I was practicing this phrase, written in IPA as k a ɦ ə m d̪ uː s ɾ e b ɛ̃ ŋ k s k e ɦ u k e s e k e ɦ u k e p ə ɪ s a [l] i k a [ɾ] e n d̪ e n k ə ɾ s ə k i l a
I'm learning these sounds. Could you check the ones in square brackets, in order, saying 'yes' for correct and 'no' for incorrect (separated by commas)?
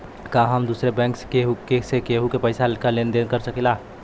yes, no